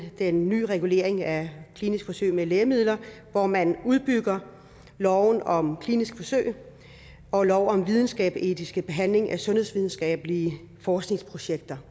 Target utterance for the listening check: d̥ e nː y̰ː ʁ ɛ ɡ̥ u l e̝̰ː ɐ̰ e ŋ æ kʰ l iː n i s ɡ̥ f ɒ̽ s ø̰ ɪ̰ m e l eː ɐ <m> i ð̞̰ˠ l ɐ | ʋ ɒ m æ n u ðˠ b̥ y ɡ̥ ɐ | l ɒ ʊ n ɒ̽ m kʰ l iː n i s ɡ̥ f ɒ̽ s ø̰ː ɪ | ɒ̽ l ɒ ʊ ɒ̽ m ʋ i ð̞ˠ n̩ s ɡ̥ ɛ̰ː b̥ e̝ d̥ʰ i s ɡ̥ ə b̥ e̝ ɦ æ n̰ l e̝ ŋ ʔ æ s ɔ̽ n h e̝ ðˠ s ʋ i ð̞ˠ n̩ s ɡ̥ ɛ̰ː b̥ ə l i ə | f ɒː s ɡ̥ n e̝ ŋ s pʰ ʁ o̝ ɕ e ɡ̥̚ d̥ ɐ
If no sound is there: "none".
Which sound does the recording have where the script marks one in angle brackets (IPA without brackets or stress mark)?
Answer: m